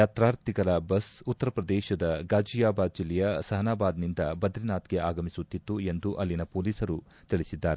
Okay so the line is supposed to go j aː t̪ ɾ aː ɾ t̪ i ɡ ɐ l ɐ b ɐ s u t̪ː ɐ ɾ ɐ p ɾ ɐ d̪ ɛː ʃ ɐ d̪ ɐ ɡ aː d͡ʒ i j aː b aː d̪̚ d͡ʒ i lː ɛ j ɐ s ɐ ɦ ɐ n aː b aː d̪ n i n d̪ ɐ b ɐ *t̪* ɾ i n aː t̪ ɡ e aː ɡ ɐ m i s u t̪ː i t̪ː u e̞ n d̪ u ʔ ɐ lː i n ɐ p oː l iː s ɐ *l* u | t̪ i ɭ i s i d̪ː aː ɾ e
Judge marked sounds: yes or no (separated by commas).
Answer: no, no